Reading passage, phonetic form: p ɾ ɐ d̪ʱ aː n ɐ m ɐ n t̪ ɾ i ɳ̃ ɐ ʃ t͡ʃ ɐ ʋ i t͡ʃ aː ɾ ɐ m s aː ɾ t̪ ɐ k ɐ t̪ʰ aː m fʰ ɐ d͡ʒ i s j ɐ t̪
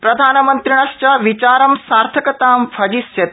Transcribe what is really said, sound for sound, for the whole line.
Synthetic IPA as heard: p ɾ ɐ d̪ʱ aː n ɐ m ɐ n t̪ ɾ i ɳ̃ ɐ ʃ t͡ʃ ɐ ʋ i t͡ʃ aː ɾ ɐ m s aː ɾ t̪ʰ ɐ k ɐ t̪ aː m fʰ ɐ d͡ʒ i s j ɐ t̪